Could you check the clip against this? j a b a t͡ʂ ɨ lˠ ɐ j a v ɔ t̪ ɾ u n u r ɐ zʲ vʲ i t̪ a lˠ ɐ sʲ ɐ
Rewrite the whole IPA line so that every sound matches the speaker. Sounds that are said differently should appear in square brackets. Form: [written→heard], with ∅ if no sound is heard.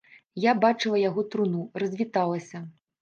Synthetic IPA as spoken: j a b a t͡ʂ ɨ lˠ ɐ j a [v→ɣ] ɔ t̪ ɾ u n u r ɐ zʲ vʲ i t̪ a lˠ ɐ sʲ ɐ